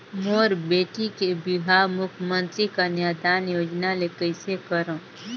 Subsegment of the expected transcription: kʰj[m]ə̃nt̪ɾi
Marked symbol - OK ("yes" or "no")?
yes